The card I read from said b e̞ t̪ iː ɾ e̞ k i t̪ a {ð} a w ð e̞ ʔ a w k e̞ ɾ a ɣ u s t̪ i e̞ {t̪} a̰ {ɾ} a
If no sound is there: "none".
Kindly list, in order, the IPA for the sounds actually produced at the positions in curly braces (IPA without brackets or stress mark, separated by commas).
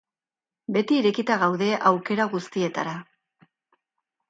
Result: ɣ, t̪, ɾ